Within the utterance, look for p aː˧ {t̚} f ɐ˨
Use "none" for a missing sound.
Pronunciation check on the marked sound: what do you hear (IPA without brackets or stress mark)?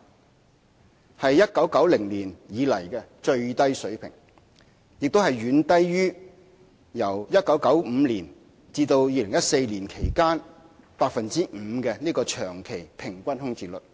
k̚